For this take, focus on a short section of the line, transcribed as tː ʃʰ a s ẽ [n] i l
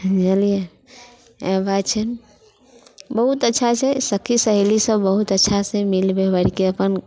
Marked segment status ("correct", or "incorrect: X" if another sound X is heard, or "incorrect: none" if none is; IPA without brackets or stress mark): incorrect: m